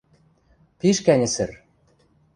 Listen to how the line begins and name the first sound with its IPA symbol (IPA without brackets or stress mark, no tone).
p